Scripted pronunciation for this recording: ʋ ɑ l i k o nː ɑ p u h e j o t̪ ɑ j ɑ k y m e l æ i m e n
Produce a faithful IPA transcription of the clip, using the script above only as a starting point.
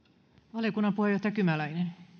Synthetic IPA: ʋ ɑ l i k u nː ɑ p u h e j o t̪ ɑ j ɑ k y m æ l æ i n e n